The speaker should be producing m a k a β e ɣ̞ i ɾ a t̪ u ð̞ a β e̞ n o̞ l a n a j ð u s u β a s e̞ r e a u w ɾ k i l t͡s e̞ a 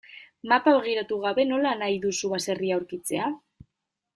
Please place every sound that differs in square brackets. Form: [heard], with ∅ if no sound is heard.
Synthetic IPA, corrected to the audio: m a [p] a β e ɣ̞ i ɾ a t̪ u [ɣ̞] a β e̞ n o̞ l a n a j ð u s u β a s e̞ r [i] a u w ɾ k i [∅] t͡s e̞ a

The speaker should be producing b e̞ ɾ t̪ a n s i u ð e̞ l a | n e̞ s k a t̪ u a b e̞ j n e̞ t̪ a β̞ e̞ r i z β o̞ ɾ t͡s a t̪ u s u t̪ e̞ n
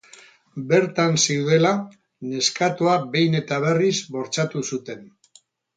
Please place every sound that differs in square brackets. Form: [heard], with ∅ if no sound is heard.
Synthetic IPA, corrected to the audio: b e̞ ɾ t̪ a n s i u ð e̞ l a | n e̞ s k a t̪ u a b e̞ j n e̞ t̪ a β̞ e̞ r i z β o̞ ɾ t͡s a t̪ u s u t̪ e̞ n

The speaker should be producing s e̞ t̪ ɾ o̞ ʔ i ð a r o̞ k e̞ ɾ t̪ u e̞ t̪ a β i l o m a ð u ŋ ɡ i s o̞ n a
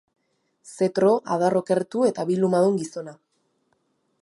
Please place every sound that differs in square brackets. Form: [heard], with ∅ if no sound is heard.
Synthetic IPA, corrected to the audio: s e̞ t̪ ɾ o̞ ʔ [a] ð a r o̞ k e̞ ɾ t̪ u e̞ t̪ a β i l [u] m a ð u ŋ ɡ i s o̞ n a

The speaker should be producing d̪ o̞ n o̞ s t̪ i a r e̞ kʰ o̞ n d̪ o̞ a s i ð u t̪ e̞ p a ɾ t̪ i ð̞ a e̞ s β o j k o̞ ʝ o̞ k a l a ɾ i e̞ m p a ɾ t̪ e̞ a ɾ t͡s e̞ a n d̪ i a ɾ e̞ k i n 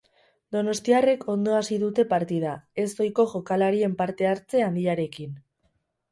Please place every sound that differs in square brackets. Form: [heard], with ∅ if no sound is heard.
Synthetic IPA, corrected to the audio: d̪ o̞ n o̞ s t̪ i a r e̞ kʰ o̞ n d̪ o̞ a s i ð u t̪ e̞ p a ɾ t̪ i ð̞ a e̞ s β o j k o̞ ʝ o̞ k a l a ɾ i e̞ m p a ɾ t̪ e̞ a ɾ t͡s e̞ a n d̪ i a ɾ e̞ k i n

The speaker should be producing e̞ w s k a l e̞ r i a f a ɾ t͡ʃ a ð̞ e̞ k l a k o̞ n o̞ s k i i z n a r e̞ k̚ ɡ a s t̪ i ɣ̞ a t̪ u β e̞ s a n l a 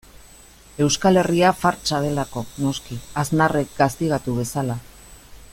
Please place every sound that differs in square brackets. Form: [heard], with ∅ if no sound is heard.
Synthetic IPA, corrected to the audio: e̞ w s k a l e̞ r i a f a ɾ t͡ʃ a ð̞ e̞ [∅] l a k o̞ n o̞ s k i [a] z n a r e̞ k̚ ɡ a s t̪ i ɣ̞ a t̪ u β e̞ s a [∅] l a

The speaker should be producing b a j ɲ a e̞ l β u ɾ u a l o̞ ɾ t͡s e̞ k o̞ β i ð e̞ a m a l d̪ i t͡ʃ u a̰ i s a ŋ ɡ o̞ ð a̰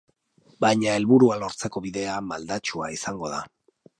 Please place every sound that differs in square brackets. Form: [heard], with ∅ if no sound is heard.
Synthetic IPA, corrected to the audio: b a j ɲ a e̞ l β u ɾ u a l o̞ ɾ t͡s e̞ k o̞ β i ð e̞ a m a l d̪ [a] t͡ʃ u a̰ i s a ŋ ɡ o̞ ð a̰

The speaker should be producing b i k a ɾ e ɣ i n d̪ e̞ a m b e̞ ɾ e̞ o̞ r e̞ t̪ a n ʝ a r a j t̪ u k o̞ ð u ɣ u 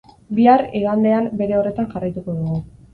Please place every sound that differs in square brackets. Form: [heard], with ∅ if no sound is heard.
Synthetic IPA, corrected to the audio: b i [∅] a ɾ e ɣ [a] n d̪ e̞ a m b e̞ ɾ e̞ o̞ r e̞ t̪ a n ʝ a r a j t̪ u k o̞ ð u ɣ u

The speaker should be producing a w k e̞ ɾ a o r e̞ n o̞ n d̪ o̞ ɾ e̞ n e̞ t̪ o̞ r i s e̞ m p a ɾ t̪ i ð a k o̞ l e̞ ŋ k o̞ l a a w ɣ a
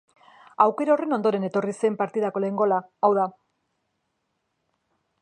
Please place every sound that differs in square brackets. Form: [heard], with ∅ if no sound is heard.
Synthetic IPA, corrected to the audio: a w k e̞ ɾ a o r e̞ n o̞ n d̪ o̞ ɾ e̞ n e̞ t̪ o̞ r i s e̞ m p a ɾ t̪ i ð a k o̞ l e̞ ŋ [ɡ] o̞ l a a w [ð] a

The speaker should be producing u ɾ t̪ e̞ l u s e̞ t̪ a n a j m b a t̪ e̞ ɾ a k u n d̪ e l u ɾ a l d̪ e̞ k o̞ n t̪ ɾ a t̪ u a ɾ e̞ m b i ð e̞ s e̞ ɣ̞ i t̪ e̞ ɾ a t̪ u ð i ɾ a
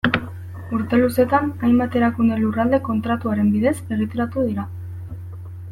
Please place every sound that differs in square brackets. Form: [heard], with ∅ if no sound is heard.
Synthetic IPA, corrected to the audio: u ɾ t̪ e̞ l u s e̞ t̪ a n a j m b a t̪ e̞ ɾ a k u n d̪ e l u [r] a l d̪ e̞ k o̞ n t̪ ɾ a t̪ u a ɾ e̞ m b i ð e̞ s e̞ ɣ̞ i t̪ e̞ ɾ a t̪ u ð i ɾ a

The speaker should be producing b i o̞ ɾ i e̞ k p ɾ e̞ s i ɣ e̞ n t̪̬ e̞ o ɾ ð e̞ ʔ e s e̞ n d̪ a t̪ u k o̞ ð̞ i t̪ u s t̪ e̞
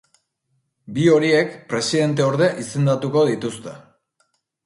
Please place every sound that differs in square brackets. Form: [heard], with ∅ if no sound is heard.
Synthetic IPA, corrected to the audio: b i o̞ ɾ i e̞ k p ɾ e̞ s i [ð] e̞ n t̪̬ e̞ o ɾ ð e̞ ʔ [i] s e̞ n d̪ a t̪ u k o̞ ð̞ i t̪ u s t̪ e̞

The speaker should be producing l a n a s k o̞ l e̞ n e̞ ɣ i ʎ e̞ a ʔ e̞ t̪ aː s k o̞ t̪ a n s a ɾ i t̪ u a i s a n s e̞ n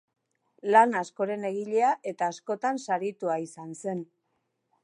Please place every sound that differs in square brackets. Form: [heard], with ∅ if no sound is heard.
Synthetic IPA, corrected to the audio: l a n a s k o̞ [ɾ] e̞ n e̞ ɣ i ʎ e̞ a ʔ e̞ t̪ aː s k o̞ t̪ a n s a ɾ i t̪ u a i s a n s e̞ n

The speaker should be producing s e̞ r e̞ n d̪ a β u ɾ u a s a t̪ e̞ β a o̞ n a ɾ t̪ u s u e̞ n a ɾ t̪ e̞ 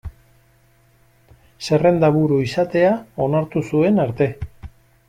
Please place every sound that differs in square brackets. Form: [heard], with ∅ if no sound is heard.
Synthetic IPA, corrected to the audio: s e̞ r e̞ n d̪ a β u ɾ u [i] s a t̪ e̞ [∅] a o̞ n a ɾ t̪ u s u e̞ n a ɾ t̪ e̞

